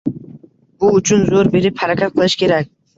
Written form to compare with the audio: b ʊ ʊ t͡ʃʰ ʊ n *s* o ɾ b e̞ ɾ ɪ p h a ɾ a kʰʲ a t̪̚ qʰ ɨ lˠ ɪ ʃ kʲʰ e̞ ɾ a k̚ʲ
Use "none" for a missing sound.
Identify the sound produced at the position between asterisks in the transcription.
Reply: z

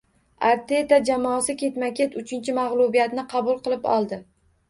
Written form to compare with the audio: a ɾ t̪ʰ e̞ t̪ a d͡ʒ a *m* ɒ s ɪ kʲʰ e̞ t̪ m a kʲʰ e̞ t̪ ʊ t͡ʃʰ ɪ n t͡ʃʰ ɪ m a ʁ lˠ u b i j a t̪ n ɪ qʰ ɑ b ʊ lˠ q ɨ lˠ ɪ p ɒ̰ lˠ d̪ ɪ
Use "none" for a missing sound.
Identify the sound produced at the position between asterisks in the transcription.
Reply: m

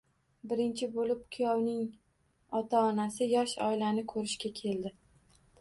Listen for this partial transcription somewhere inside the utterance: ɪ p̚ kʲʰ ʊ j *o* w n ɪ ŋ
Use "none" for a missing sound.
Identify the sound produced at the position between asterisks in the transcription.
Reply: ɒ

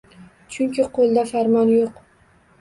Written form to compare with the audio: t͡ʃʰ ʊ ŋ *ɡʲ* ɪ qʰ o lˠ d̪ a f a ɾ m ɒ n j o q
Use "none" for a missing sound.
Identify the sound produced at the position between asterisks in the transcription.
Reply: kʲ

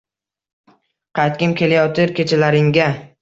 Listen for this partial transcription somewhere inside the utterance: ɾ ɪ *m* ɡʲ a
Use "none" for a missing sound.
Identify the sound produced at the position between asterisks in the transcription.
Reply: ŋ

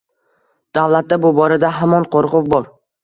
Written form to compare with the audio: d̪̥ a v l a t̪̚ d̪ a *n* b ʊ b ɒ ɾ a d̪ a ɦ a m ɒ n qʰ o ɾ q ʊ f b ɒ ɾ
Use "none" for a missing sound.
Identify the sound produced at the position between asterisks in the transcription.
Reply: none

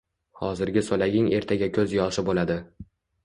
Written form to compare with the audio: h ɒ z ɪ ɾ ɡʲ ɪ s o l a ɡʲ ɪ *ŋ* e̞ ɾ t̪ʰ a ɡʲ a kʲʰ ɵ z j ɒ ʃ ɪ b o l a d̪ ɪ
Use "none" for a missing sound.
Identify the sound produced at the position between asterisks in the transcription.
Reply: ŋ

